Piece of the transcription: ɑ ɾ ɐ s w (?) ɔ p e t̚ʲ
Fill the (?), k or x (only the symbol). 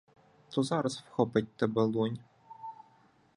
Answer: x